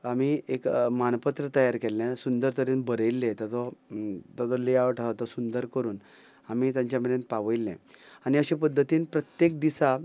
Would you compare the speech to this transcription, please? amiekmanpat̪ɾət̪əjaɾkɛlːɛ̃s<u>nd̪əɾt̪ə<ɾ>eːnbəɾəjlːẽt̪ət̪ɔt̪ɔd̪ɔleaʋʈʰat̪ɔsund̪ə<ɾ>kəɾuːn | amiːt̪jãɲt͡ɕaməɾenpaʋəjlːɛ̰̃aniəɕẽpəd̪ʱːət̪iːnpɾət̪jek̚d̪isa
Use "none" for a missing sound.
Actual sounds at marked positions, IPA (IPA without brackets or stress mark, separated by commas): u, ɾ, ɾ